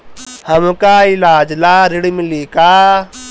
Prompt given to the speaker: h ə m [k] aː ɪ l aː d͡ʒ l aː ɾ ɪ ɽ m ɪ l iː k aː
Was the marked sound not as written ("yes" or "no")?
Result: no